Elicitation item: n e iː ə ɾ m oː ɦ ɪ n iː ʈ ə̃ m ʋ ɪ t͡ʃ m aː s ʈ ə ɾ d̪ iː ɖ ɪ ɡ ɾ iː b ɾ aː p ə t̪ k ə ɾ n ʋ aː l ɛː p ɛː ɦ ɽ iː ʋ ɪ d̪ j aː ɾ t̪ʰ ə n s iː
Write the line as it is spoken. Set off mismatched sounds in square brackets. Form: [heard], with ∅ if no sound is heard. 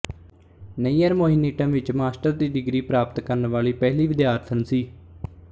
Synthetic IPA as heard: n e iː ə ɾ m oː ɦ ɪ n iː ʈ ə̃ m ʋ ɪ t͡ʃ m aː s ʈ ə ɾ d̪ iː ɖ ɪ ɡ ɾ iː [p] ɾ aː p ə t̪ k ə ɾ n ʋ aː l [iː] p ɛː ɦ [l] iː ʋ ɪ d̪ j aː ɾ t̪ʰ ə n s iː